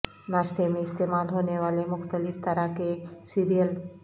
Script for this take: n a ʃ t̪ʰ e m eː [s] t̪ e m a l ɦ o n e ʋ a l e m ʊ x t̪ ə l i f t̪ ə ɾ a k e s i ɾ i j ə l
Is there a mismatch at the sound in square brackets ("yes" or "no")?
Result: no